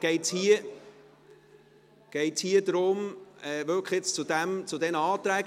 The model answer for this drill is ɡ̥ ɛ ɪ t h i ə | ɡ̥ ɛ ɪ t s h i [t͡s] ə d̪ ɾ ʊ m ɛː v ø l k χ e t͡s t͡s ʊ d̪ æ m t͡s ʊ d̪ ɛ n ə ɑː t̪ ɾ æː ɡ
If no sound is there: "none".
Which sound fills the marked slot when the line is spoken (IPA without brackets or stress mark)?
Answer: none